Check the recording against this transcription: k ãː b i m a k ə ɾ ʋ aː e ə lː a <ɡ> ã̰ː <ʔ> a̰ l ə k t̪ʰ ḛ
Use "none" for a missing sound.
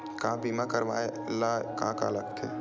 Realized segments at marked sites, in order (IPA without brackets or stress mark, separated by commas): k, k